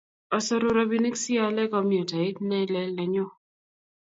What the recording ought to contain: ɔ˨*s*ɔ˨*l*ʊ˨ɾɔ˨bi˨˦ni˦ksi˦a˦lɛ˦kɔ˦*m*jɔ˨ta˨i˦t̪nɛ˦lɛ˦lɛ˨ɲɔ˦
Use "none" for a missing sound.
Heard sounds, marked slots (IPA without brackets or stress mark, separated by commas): s, ɾ, m